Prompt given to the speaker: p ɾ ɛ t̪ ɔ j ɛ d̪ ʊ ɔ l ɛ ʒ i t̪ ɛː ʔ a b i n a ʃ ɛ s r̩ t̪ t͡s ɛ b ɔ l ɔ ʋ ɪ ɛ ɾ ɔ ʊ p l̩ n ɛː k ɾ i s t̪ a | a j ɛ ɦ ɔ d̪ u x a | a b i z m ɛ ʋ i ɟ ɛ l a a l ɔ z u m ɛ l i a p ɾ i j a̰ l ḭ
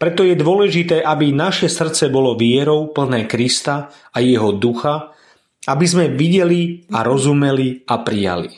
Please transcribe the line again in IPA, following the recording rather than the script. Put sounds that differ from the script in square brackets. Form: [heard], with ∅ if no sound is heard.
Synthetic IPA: p ɾ ɛ t̪ ɔ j ɛ d̪ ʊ ɔ l ɛ ʒ i t̪ ɛː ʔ a b i n a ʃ ɛ s r̩ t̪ t͡s ɛ b ɔ l ɔ ʋ ɪ ɛ ɾ ɔ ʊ p l̩ n ɛː k ɾ i s t̪ a | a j ɛ ɦ ɔ d̪ u x a | a b i z m ɛ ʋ i ɟ ɛ l [i] a [ɾ] ɔ z u m ɛ l i a p ɾ i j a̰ l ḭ